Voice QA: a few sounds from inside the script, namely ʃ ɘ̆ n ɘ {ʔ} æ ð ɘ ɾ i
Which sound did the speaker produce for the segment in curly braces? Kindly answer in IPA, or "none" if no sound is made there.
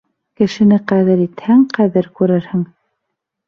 q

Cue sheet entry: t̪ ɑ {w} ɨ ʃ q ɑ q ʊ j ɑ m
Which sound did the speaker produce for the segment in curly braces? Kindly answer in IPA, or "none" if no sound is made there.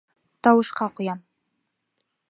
w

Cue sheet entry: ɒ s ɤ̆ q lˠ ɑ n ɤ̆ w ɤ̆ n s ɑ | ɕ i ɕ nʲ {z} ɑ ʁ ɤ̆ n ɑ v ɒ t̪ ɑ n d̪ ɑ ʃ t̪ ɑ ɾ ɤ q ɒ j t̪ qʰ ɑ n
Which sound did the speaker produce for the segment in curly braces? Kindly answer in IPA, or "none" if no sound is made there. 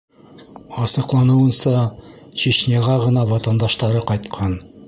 ʁ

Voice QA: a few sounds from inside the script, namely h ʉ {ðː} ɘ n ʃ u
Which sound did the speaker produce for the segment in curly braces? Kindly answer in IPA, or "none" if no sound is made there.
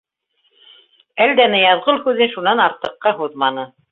ð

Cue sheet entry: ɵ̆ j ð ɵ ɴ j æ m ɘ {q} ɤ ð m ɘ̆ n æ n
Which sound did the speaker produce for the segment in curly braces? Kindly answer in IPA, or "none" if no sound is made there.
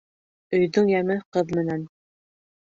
q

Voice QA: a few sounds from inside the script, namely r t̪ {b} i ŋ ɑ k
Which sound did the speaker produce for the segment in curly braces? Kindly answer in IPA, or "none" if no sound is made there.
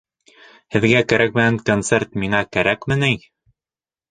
m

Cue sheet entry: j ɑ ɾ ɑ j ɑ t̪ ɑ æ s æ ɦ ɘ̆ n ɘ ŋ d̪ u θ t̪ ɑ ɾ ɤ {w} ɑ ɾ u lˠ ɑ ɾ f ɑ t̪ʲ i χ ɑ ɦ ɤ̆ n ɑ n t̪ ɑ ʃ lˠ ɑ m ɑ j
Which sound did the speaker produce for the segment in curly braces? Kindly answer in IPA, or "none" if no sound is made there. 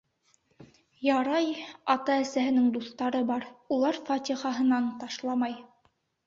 b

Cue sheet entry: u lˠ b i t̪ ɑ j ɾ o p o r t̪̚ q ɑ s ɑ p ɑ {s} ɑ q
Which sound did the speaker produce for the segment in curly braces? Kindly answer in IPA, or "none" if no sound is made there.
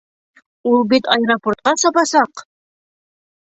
s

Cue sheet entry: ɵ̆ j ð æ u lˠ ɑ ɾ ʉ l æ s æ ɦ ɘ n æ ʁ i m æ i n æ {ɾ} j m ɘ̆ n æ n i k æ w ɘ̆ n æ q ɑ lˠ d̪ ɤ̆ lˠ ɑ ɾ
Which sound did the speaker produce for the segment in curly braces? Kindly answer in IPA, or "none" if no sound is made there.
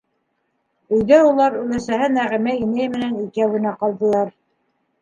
none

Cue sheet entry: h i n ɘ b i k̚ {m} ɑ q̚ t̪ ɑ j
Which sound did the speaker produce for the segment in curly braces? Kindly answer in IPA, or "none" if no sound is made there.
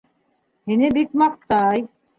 m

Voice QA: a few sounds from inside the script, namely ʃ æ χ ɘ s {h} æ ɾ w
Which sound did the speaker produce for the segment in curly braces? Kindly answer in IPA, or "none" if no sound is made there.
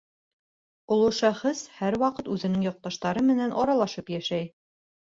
h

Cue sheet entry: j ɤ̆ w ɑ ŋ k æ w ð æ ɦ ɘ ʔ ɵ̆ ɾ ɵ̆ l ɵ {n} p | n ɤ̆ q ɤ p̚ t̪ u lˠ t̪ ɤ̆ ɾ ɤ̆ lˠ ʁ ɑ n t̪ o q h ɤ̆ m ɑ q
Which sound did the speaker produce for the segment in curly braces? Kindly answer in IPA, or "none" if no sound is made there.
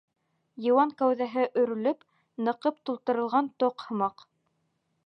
none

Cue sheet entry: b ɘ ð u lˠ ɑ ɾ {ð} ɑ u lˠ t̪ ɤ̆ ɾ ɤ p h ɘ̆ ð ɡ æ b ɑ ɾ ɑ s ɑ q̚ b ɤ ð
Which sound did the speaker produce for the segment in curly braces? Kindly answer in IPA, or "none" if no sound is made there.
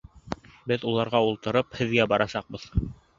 ʁ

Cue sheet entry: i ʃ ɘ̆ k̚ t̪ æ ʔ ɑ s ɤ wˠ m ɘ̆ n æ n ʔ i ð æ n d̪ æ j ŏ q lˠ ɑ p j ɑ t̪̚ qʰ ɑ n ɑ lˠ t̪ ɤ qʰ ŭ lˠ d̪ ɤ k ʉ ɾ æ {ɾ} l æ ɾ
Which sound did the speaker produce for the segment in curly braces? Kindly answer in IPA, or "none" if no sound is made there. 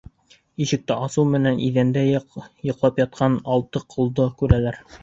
none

